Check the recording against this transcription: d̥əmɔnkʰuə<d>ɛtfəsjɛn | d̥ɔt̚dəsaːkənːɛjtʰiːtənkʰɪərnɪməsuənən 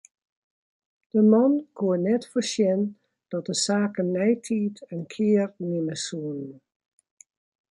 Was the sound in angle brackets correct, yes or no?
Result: no